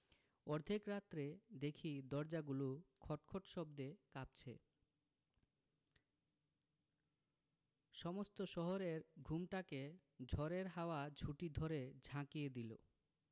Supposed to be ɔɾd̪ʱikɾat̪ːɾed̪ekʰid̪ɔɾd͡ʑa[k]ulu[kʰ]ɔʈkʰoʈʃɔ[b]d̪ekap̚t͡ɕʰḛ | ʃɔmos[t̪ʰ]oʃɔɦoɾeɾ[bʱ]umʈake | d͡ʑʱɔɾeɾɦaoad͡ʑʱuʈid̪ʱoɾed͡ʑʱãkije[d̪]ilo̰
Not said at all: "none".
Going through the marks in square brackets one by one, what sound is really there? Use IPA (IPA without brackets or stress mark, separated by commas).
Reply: ɡ, kʰ, b, t̪, ɡʱ, d̪